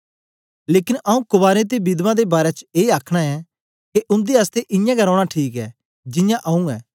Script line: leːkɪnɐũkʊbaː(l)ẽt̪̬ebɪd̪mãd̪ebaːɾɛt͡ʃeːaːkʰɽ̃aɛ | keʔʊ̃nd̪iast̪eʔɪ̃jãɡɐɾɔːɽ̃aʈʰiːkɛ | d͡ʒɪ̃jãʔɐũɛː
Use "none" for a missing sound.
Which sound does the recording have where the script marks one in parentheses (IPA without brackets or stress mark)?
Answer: ɾ